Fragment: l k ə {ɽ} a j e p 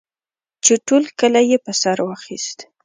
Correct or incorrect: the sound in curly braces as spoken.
incorrect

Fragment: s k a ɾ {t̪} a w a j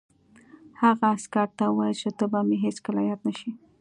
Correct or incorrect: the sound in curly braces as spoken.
correct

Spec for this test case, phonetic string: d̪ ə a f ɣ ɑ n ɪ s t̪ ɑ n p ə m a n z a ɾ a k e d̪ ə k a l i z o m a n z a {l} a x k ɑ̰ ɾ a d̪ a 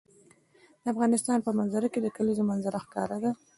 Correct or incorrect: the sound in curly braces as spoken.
incorrect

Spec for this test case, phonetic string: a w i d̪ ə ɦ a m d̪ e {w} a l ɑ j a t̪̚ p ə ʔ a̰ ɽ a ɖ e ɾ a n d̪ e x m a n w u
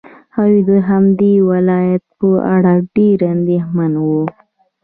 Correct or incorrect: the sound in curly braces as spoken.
correct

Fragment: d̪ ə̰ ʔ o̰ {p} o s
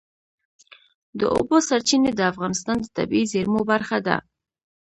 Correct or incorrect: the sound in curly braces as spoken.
incorrect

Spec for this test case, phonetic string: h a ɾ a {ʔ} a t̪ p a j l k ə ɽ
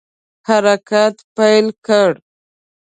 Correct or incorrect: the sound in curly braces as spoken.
incorrect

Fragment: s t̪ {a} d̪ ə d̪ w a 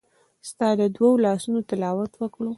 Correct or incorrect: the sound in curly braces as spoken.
incorrect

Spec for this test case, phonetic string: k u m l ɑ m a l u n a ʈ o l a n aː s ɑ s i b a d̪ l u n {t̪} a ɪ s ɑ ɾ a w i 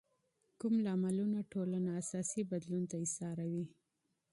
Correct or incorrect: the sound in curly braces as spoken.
correct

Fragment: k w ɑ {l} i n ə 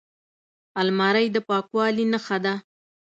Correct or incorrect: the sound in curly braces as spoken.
correct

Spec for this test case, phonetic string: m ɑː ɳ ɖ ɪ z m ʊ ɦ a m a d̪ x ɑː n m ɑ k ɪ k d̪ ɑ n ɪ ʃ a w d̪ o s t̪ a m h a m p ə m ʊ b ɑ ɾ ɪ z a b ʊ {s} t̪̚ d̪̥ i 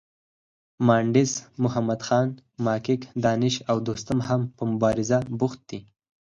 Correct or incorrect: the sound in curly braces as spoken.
incorrect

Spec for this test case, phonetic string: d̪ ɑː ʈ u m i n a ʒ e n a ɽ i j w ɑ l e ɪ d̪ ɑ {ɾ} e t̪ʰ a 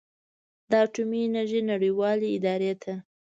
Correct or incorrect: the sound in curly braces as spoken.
correct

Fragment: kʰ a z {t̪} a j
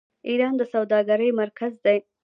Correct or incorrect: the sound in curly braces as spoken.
incorrect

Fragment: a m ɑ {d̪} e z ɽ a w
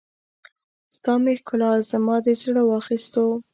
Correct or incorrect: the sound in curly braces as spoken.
correct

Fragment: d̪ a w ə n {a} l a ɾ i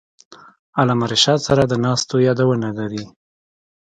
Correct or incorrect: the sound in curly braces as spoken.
correct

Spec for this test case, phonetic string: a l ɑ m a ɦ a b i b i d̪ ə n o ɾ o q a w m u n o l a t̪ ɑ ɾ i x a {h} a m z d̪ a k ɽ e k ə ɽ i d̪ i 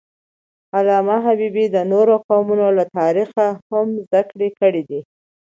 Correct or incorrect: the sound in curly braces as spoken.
correct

